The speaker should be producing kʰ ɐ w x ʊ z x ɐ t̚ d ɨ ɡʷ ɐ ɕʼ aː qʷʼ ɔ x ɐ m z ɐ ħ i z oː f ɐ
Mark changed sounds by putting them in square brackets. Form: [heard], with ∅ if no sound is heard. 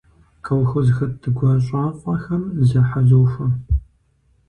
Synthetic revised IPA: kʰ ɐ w x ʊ z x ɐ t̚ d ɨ ɡʷ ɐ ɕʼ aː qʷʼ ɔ x ɐ m z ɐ ħ [a] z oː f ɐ

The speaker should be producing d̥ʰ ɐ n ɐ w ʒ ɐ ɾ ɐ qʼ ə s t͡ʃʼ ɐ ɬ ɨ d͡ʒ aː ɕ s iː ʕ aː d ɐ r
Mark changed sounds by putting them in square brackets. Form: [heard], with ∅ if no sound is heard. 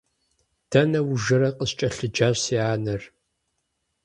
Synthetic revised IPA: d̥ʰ ɐ n ɐ w ʒ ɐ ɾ ɐ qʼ ə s t͡ʃʼ ɐ ɬ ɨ d͡ʒ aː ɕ s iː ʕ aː [n] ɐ r

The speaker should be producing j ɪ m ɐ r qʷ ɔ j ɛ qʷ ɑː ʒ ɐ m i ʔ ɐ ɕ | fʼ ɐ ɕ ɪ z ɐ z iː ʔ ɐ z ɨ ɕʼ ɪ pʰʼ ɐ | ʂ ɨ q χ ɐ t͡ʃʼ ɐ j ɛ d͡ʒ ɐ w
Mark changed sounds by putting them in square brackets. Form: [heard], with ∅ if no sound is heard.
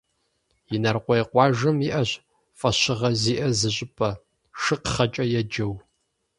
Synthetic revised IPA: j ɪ [n] ɐ r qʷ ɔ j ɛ qʷ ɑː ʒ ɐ m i ʔ ɐ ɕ | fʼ ɐ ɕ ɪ [ʁ] ɐ z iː ʔ ɐ z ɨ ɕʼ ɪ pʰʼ ɐ | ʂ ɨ q χ ɐ t͡ʃʼ ɐ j ɛ d͡ʒ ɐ w

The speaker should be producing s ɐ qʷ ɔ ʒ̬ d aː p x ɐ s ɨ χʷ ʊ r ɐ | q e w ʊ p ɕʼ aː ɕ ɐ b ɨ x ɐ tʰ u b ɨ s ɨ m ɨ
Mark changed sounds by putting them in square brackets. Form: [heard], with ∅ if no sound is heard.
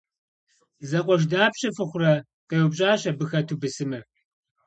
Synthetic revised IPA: [z] ɐ qʷ ɔ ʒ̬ d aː p [ɕ] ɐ [f] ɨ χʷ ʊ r ɐ | q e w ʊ p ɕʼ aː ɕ ɐ b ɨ x ɐ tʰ u b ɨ s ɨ m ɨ

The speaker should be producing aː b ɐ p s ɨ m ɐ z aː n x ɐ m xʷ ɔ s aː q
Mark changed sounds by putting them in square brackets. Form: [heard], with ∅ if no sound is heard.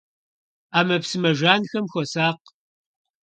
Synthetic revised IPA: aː [m] ɐ p s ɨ m ɐ [ʒ] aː n x ɐ m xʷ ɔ s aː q

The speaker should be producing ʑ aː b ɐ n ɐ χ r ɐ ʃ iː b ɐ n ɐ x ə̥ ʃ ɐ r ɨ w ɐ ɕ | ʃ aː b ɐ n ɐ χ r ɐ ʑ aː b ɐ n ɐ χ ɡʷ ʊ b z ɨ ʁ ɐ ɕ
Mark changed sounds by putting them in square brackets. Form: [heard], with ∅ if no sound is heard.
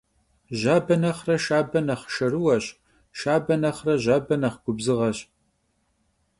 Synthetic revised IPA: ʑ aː b ɐ n ɐ χ r ɐ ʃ [aː] b ɐ n ɐ [χ] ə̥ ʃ ɐ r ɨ w ɐ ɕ | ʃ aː b ɐ n ɐ χ r ɐ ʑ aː b ɐ n ɐ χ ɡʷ ʊ b z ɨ ʁ ɐ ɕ

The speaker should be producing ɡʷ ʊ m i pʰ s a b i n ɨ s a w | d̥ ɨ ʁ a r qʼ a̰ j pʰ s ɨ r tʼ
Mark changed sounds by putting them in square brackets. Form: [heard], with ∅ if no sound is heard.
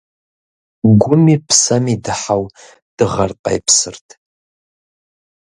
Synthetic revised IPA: ɡʷ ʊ m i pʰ s a [m] i [d] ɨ [ħ] a w | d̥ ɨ ʁ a r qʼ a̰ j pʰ s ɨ r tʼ

